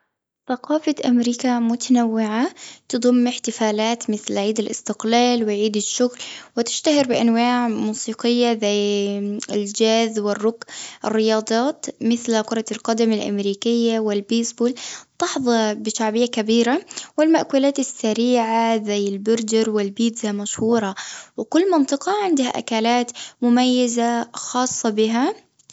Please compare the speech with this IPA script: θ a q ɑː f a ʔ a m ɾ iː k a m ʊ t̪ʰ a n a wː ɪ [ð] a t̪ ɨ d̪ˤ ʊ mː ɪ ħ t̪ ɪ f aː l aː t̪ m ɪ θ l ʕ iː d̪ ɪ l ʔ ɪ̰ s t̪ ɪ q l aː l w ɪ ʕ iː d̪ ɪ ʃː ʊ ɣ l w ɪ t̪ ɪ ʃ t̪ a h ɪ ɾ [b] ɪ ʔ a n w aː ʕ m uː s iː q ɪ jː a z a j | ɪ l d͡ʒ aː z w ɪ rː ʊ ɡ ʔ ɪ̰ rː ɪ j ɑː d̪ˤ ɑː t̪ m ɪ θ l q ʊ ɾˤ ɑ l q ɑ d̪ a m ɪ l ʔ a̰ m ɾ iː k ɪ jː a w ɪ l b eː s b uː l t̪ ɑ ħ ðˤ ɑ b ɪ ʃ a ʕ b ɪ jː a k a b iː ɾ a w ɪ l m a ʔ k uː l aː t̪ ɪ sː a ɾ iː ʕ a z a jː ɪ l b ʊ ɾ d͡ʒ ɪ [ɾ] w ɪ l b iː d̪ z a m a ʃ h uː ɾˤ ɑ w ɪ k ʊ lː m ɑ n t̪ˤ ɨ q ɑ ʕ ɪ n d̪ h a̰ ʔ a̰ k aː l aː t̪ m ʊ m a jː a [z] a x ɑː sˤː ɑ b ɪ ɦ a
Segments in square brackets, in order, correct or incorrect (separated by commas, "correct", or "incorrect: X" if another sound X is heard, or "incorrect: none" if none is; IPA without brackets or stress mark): incorrect: ʕ, correct, correct, correct